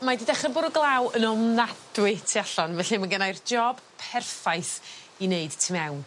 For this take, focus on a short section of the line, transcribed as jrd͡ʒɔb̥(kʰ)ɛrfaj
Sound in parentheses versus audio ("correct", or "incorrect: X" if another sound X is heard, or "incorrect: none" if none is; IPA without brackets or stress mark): incorrect: pʰ